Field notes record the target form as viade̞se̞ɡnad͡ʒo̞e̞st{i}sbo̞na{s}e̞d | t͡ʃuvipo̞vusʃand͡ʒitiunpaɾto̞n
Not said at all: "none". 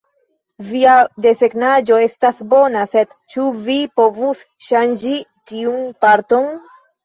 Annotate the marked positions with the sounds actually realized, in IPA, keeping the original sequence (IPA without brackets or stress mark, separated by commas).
a, s